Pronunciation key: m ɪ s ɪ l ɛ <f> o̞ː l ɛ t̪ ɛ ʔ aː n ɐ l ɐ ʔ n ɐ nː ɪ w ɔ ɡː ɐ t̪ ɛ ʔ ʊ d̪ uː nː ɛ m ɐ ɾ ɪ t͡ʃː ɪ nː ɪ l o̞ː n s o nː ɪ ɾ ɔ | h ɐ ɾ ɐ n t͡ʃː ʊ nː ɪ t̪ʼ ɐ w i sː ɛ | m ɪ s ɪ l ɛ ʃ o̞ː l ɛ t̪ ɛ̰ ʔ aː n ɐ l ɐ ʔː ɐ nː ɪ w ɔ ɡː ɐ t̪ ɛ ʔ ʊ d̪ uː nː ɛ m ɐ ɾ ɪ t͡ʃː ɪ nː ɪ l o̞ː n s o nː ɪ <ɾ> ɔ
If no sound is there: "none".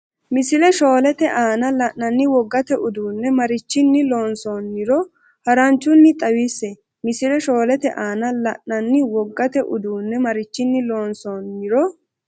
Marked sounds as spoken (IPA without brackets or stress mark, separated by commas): ʃ, ɾ